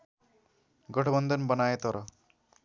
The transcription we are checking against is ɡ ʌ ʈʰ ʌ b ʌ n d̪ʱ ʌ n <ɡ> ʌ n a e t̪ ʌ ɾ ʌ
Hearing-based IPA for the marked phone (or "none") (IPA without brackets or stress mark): b